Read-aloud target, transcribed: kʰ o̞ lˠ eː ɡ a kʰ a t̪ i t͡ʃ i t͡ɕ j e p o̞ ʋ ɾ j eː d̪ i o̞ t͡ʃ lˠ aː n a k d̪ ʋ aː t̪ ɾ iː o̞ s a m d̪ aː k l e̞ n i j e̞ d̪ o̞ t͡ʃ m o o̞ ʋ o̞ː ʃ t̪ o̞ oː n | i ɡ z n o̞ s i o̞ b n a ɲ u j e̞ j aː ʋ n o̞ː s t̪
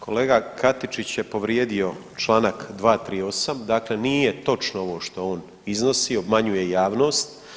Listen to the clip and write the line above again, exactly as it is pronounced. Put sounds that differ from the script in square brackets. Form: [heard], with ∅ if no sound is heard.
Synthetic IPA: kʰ o̞ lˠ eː ɡ a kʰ a t̪ i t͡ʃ i t͡ɕ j e p o̞ ʋ ɾ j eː d̪ i o̞ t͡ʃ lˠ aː n a k d̪ ʋ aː t̪ ɾ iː o̞ s a m d̪ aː k l e̞ n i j e̞ [t̪] o̞ t͡ʃ [n] o o̞ ʋ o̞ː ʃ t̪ o̞ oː n | i [∅] z n o̞ s i o̞ b [m] a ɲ u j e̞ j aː ʋ n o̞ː s t̪